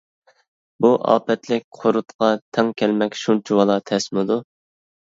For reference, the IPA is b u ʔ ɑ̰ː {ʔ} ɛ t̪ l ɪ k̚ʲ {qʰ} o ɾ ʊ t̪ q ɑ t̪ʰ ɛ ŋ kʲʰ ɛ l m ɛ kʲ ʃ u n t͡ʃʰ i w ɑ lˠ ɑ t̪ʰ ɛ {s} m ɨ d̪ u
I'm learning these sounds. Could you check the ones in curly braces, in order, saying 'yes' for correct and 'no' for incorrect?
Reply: no, yes, yes

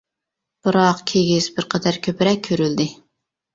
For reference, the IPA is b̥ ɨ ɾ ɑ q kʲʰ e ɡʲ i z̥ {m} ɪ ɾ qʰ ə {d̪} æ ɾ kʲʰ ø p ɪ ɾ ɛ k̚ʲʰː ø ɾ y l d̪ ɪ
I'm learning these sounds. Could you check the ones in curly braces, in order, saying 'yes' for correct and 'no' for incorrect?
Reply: no, yes

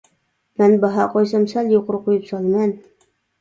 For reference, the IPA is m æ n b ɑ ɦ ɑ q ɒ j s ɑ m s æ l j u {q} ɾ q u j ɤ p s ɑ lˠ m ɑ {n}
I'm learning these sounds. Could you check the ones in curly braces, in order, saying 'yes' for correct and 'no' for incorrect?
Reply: yes, yes

